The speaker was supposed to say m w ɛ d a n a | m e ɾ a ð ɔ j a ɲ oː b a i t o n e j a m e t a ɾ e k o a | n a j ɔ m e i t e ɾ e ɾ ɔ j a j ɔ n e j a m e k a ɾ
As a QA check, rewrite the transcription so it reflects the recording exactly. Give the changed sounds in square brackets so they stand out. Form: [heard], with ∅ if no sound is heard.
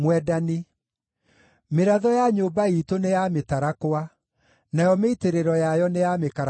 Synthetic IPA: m w ɛ d a n [i] | m e ɾ a ð ɔ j a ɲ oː b a i t o n e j a m e t a ɾ [a] k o a | n a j ɔ m e i t e ɾ e ɾ ɔ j a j ɔ n e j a m e k a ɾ